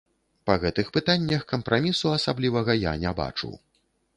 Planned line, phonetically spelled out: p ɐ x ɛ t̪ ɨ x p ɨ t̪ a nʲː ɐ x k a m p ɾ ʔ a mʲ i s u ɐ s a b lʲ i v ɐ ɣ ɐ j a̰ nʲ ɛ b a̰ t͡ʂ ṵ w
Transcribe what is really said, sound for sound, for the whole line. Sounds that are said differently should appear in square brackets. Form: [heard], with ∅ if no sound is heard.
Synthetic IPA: p ɐ [ɣ] ɛ t̪ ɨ x p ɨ t̪ a nʲː ɐ x k [ɐ] m p ɾ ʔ a mʲ i s u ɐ s a b lʲ i v ɐ ɣ ɐ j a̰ nʲ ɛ b a̰ t͡ʂ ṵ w

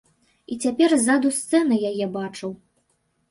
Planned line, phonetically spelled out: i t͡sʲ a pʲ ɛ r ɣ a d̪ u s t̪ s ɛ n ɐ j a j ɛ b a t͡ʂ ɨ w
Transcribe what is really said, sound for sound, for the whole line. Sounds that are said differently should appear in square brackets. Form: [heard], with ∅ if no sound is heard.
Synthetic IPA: i t͡sʲ a pʲ ɛ r [z] a d̪ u s t̪ s ɛ n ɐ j a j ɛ b a t͡ʂ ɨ w

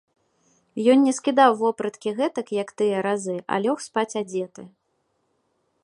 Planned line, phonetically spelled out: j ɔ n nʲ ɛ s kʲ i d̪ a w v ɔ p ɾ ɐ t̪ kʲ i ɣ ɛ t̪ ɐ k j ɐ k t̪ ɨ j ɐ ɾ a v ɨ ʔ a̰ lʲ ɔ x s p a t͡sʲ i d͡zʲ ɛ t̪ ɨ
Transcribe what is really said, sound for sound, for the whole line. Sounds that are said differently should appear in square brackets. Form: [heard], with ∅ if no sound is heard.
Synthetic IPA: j ɔ n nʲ ɛ s kʲ i d̪ a w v ɔ p ɾ ɐ t̪ kʲ i ɣ ɛ t̪ ɐ k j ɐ k t̪ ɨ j ɐ ɾ a [z] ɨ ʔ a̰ lʲ ɔ x s p a t͡sʲ [a] d͡zʲ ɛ t̪ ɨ

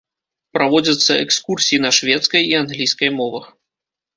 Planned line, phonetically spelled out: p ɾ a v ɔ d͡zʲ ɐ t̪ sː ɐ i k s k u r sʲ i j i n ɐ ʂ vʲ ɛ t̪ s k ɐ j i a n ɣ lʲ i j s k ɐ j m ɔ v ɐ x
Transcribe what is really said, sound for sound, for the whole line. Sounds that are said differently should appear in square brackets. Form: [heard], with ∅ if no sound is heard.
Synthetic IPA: p ɾ a v ɔ d͡zʲ ɐ t̪ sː ɐ [ɛ] k s k u r sʲ i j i n ɐ ʂ vʲ ɛ t̪ s k ɐ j i a n ɣ lʲ i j s k ɐ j m ɔ v ɐ x

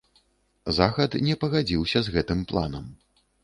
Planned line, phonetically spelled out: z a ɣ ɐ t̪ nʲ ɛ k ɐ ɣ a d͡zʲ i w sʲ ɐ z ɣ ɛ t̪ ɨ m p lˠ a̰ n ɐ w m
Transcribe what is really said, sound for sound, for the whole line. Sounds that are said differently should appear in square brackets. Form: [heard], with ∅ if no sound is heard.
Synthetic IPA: z a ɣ ɐ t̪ nʲ ɛ [p] ɐ ɣ a d͡zʲ i w sʲ ɐ z ɣ ɛ t̪ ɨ m p lˠ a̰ n ɐ [∅] m

